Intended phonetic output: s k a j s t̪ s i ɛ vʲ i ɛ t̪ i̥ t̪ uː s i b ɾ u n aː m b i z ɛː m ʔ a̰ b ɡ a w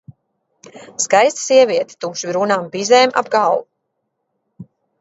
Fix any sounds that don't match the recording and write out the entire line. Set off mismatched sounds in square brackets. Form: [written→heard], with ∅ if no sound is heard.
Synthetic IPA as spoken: s k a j s t̪ s i ɛ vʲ i ɛ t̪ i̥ t̪ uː [s→ʃ] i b ɾ u n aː m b i z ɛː m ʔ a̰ b ɡ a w